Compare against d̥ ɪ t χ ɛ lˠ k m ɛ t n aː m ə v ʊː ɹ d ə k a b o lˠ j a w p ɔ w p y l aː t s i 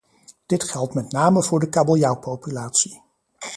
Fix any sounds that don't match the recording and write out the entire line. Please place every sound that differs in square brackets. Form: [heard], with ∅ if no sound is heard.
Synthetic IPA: d̥ ɪ t χ ɛ lˠ [t] m ɛ t n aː m ə v ʊː ɹ d ə k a b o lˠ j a w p [o] w p y l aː t s i